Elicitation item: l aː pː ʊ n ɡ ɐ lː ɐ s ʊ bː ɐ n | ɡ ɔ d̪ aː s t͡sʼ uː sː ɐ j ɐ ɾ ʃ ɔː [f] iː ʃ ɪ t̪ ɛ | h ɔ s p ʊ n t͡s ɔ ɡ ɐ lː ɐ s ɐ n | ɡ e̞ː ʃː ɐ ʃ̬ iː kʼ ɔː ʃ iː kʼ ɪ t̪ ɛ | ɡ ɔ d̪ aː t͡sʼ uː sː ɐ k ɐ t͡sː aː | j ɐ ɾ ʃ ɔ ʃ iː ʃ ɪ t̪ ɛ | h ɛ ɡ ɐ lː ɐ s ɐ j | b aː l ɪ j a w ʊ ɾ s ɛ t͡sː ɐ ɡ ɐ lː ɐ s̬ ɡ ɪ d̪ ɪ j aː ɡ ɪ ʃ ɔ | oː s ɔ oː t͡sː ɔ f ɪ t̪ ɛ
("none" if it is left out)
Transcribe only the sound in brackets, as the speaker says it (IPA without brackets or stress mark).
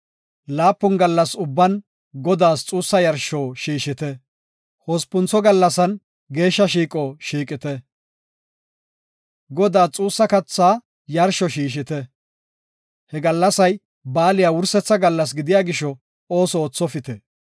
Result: ʃ